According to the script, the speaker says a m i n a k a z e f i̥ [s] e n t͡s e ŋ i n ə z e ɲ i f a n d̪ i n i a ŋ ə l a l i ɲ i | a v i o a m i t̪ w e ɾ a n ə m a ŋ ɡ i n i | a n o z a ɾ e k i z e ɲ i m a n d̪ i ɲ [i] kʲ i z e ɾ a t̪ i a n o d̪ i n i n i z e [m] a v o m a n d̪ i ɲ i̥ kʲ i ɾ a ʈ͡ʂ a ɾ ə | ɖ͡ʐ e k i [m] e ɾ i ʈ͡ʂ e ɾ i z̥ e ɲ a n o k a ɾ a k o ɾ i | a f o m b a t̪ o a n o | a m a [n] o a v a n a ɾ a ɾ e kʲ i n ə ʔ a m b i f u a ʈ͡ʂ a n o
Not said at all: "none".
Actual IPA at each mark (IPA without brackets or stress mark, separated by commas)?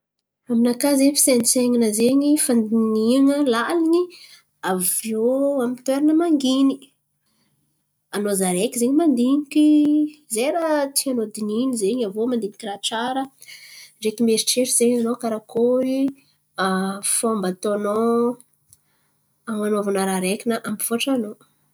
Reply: s, i, ɲ, m, n